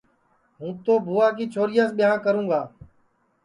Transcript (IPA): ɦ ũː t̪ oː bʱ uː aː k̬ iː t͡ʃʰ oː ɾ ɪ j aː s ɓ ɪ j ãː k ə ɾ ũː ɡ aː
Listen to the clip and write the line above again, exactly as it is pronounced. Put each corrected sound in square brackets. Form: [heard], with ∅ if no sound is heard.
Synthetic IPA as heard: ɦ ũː t̪ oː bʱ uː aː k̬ iː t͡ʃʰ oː ɾ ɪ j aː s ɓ ɪ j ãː k ə ɾ ũː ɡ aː